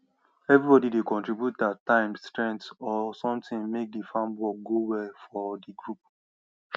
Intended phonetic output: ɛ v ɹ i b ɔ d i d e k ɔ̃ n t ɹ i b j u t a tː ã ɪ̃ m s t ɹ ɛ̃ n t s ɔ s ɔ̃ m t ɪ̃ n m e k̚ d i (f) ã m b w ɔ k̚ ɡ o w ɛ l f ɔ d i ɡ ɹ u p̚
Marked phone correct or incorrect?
correct